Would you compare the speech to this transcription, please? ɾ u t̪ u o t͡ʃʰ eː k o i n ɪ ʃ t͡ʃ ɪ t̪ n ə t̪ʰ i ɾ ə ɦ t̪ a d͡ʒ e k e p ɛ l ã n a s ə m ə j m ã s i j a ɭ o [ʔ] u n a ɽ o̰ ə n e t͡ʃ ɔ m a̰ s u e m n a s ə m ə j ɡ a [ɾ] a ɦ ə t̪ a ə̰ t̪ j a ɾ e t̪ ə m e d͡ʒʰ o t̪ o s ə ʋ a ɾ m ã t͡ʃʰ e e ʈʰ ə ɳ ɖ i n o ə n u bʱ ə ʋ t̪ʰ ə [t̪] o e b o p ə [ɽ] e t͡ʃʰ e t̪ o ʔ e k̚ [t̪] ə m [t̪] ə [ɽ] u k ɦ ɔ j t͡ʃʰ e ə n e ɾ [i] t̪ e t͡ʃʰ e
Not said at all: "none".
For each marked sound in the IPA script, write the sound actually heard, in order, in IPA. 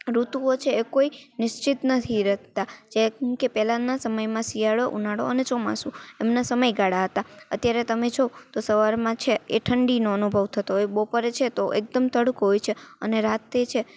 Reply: ʔ, ɽ, t̪, ɾ, d̪, t̪, ɽ, a

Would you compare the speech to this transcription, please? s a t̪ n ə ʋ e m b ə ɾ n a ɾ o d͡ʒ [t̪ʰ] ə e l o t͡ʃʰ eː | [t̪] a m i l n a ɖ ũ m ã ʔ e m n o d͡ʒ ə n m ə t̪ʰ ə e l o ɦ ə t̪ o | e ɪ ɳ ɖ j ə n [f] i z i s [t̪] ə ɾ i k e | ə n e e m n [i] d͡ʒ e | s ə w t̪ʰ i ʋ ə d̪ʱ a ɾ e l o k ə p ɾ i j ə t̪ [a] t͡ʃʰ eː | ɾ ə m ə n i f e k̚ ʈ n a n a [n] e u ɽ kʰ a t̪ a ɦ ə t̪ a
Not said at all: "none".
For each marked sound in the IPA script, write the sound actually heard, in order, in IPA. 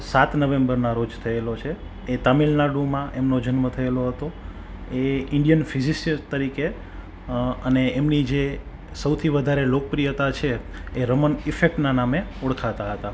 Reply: t̪ʰ, t̪, f, t̪, i, a, m

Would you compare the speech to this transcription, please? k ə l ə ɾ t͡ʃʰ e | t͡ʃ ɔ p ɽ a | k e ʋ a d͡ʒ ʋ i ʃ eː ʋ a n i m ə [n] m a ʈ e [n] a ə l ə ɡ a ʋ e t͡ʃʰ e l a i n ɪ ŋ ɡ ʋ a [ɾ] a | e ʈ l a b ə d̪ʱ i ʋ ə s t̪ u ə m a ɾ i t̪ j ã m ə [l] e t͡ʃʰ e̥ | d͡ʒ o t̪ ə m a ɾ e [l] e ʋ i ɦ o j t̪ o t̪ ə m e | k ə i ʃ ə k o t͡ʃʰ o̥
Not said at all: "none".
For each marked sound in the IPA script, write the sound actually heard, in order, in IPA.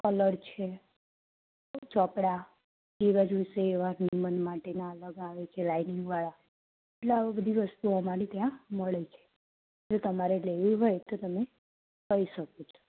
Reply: n, n, ɭ, ɭ, l

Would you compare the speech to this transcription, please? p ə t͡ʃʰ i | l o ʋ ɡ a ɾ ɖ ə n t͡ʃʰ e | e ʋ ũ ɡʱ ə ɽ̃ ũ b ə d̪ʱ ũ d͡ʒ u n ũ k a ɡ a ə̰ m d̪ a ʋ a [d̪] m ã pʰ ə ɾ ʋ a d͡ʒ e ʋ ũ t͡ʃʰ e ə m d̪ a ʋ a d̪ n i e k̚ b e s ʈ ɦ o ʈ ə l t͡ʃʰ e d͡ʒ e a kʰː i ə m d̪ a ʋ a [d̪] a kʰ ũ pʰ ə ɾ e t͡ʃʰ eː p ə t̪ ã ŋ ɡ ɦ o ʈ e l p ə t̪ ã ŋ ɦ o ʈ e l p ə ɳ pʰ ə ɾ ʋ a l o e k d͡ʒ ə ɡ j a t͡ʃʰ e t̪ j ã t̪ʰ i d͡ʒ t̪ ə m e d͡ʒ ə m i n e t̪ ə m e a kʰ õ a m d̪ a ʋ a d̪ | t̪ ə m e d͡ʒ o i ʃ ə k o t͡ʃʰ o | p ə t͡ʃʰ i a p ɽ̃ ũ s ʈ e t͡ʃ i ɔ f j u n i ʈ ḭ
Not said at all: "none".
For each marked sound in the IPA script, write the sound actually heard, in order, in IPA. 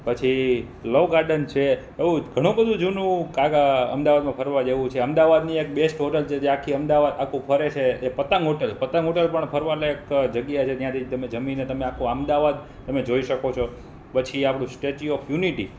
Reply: d̪, d̪

